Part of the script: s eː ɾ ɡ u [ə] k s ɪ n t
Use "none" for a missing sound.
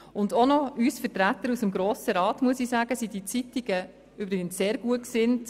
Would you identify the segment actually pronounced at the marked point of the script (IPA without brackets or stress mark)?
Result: ə